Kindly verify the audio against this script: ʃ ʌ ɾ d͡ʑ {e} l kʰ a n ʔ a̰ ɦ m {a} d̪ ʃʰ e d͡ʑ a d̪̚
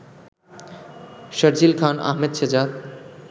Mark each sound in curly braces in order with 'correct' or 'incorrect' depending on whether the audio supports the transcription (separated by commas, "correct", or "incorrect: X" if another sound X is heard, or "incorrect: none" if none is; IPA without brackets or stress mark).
incorrect: i, incorrect: e